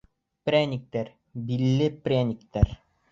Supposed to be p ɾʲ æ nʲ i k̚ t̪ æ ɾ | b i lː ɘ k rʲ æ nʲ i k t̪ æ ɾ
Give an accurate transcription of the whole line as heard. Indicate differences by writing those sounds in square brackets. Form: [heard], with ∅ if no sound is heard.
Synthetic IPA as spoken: p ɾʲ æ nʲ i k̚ t̪ æ ɾ | b i lː ɘ [p] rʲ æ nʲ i k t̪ æ ɾ